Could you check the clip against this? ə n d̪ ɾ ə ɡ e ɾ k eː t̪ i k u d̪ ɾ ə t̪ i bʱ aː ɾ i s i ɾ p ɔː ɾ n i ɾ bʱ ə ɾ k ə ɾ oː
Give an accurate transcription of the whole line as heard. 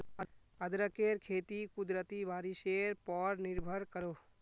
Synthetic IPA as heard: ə d̪ ɾ ə k e ɾ kʰ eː t̪ i k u d̪ ɾ ə t̪ i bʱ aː ɾ i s e ɾ p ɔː ɾ n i ɾ bʱ ə ɾ k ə ɾ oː